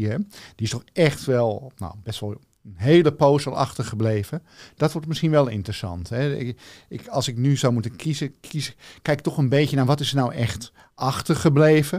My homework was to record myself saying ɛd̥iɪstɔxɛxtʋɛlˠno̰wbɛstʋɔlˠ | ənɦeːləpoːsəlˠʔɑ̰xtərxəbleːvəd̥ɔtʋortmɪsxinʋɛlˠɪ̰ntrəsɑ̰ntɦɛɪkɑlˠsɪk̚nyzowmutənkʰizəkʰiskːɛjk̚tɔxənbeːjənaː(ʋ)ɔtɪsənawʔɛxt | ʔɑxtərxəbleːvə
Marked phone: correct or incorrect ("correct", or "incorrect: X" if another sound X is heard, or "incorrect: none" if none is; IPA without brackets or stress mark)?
correct